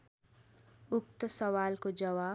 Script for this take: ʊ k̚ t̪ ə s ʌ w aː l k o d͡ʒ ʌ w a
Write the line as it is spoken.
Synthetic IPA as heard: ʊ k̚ t̪ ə s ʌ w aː l k o d͡ʒ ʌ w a